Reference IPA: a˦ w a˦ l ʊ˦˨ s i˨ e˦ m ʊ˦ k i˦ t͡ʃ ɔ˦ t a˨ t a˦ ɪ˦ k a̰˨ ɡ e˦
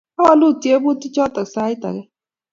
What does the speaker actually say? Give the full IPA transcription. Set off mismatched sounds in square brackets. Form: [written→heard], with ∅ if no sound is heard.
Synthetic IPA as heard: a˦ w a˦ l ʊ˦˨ [s→t] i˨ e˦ [m→b] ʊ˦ [k→t] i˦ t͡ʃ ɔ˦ t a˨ [t→s] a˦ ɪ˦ [k→t] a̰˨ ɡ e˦

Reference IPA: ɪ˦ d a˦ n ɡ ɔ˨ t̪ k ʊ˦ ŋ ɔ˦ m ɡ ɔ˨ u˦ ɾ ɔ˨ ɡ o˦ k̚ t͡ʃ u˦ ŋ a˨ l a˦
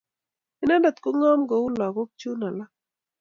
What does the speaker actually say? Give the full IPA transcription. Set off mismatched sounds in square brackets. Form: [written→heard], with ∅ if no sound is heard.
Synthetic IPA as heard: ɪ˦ [d→n] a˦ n [ɡ→d] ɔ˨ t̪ k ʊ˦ ŋ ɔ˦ m ɡ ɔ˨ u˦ [ɾ→l] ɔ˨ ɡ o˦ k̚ t͡ʃ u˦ [ŋ→n] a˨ l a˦

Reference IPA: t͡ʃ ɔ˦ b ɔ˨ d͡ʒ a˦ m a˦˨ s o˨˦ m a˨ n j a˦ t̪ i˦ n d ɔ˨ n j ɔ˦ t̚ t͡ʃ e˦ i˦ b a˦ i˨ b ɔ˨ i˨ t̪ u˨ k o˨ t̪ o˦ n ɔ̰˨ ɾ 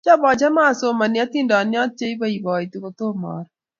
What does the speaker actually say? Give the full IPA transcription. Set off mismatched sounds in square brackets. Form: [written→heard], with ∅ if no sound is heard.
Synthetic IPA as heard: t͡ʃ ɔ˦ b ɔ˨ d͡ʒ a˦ m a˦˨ s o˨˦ m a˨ n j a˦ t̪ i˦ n d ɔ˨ n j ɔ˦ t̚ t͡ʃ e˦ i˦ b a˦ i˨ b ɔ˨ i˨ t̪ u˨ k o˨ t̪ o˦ [n→m] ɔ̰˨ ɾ

